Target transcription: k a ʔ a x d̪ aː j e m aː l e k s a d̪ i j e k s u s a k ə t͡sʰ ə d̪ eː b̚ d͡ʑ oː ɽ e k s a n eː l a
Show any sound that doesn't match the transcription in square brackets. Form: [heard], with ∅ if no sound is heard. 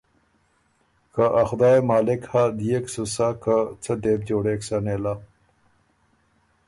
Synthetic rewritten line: k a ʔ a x d̪ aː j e m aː l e k [h] a d̪ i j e k s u s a k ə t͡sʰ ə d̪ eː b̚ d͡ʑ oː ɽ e k s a n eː l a